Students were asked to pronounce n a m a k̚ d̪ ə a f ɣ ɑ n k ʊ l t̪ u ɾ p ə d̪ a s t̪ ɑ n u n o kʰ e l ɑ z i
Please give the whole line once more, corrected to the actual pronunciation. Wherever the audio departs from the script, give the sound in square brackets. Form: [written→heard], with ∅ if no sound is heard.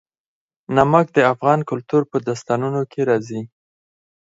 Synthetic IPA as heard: n a m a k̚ d̪ ə a f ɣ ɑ n k ʊ l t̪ u ɾ p ə d̪ a s t̪ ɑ n u n o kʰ e [l→ɾ] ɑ z i

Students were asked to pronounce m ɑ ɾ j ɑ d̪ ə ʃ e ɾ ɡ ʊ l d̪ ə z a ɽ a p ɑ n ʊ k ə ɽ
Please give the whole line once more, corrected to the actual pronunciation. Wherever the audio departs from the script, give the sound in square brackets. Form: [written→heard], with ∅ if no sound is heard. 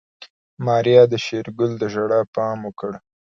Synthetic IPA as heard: m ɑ ɾ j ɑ d̪ ə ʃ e ɾ ɡ ʊ l d̪ ə [z→ʒ] a ɽ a p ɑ [n→m] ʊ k ə ɽ

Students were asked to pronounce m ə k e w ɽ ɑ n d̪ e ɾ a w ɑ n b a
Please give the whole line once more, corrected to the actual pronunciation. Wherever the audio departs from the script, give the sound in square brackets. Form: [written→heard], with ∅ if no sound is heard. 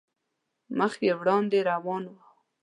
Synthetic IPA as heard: m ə [k→x] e w ɽ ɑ n d̪ e ɾ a w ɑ n [b→w] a

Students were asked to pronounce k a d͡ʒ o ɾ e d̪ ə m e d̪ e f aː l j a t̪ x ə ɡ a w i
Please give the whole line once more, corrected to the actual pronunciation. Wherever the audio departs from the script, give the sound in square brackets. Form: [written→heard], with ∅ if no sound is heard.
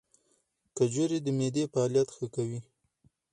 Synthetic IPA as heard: k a d͡ʒ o ɾ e d̪ ə m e d̪ e f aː l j a t̪ x ə [ɡ→k] a w i

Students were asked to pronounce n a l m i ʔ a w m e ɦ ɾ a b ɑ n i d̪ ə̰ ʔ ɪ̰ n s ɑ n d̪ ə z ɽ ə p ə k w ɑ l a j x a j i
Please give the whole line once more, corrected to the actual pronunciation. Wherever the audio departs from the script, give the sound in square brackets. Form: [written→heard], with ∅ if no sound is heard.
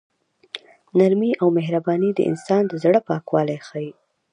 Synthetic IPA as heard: n a [l→ɾ] m i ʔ a w m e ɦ ɾ a b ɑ n i d̪ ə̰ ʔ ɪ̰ n s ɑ n d̪ ə z ɽ ə p [ə→ɑ] k w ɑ l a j x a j i

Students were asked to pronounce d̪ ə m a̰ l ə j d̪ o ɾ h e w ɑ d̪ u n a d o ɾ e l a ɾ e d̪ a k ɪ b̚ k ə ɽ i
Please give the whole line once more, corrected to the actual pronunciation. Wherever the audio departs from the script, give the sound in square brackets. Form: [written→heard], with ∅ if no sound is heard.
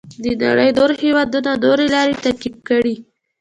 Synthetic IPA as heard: d̪ ə [m→n] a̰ [l→ɽ] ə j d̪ o ɾ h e w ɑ d̪ u n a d o ɾ e l [a→ɑ] ɾ e [d̪→t̪] a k [ɪ→i] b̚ k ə ɽ i

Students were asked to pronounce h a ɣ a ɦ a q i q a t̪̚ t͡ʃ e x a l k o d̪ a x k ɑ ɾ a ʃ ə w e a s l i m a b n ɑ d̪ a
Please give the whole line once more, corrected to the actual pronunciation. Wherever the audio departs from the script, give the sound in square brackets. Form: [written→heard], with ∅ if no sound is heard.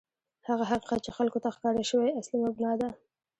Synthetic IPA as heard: h a ɣ a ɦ a q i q a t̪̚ t͡ʃ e x a l k o [d̪→t̪] a x k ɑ ɾ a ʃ ə w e a s l i m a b n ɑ d̪ a

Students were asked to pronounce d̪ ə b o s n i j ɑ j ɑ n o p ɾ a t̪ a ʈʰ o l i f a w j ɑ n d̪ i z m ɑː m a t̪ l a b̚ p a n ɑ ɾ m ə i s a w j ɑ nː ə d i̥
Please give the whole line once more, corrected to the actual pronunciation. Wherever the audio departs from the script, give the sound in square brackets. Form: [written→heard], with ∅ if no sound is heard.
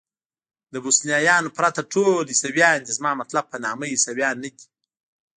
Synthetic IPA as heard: d̪ ə b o s n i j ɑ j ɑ n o p ɾ a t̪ a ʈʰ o l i [f→s] a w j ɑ n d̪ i z m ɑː m a t̪ l a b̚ p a n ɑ [ɾ→∅] m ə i s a w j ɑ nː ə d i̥

